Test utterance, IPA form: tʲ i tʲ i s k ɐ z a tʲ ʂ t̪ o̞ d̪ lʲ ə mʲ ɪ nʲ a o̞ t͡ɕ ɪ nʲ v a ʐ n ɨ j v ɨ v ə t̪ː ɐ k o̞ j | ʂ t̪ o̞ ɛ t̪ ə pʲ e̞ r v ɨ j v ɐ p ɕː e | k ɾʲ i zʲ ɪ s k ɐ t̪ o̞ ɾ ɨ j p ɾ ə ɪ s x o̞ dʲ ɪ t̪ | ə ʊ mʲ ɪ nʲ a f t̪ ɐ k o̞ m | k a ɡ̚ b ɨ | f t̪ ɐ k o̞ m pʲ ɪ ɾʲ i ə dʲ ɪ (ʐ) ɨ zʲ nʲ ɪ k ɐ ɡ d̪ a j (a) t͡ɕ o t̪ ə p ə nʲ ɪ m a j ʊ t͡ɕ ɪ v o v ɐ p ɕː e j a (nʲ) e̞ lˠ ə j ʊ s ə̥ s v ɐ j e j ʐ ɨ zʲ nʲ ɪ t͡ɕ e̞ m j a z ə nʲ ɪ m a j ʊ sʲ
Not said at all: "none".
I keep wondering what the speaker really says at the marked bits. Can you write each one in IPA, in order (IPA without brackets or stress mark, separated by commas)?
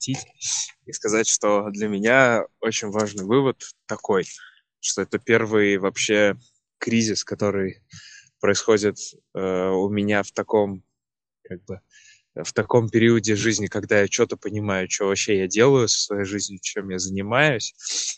ʐ, a, dʲ